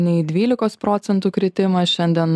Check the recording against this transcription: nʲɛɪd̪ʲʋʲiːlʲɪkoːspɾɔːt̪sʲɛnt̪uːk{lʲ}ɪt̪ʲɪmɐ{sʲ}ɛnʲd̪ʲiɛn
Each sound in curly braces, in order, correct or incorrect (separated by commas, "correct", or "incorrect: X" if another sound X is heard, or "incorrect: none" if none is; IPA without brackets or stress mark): incorrect: ɾʲ, incorrect: ʃʲ